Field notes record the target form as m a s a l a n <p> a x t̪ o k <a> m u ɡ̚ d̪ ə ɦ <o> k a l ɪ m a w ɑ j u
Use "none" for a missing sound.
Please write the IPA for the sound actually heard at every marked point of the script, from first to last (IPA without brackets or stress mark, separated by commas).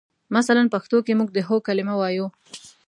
p, e, o